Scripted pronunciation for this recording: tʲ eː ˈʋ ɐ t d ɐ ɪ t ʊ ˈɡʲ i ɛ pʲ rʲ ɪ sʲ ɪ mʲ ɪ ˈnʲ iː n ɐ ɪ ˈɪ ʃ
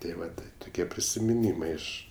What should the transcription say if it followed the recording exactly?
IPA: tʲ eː ˈʋ ɐ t t ɐ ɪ t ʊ ˈkʲ i ɛ pʲ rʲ ɪ sʲ ɪ mʲ ɪ ˈnʲ iː m ɐ ɪ ˈɪ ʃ